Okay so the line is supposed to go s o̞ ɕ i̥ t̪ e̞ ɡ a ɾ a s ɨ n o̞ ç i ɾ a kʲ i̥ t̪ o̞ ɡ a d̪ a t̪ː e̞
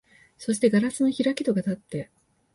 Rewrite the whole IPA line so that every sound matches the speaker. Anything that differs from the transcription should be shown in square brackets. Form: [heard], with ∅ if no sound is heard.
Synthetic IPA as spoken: s o̞ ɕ i̥ t̪ e̞ ɡ a ɾ a s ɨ n o̞ ç i ɾ a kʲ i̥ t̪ o̞ ɡ a [t̪] a t̪ː e̞